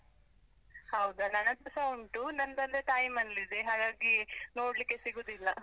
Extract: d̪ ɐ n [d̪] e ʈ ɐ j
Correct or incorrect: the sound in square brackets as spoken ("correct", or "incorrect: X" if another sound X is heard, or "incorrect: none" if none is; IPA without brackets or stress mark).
correct